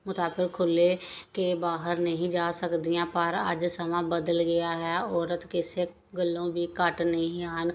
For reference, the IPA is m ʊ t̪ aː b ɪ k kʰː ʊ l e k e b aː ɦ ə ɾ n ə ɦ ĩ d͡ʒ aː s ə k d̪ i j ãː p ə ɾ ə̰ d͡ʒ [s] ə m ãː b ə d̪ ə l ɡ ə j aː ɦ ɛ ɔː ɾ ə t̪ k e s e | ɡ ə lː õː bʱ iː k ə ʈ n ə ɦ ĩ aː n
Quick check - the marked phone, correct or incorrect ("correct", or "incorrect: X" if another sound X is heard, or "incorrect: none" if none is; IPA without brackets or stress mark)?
correct